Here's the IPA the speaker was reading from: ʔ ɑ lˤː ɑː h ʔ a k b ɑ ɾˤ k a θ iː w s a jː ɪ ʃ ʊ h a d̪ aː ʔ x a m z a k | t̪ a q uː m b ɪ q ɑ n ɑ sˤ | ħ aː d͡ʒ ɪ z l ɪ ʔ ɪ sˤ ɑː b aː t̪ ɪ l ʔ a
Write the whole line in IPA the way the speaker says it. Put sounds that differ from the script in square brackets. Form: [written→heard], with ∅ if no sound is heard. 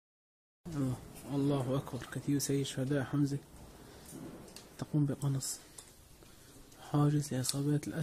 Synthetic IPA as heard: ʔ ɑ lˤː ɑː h ʔ a k b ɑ ɾˤ k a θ iː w s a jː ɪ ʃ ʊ h a d̪ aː ʔ [x→ħ] a m z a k | t̪ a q uː m b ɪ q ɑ n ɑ sˤ | ħ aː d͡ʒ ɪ z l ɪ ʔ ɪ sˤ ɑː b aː t̪ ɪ l ʔ a